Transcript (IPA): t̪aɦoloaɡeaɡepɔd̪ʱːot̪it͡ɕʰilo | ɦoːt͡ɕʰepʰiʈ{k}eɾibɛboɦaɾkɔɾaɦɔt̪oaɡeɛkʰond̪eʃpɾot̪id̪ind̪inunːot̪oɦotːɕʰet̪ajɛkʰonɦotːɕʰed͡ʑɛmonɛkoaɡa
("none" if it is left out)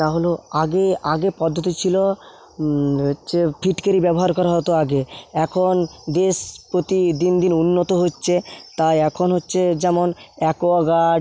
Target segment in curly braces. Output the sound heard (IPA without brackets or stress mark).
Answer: k